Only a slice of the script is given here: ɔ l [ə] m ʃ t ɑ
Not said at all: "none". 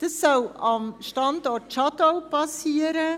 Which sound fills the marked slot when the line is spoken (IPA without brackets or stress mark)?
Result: ɑ